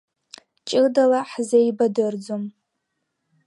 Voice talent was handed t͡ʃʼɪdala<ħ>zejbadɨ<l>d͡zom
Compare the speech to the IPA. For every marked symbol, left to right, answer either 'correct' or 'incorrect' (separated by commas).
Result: correct, incorrect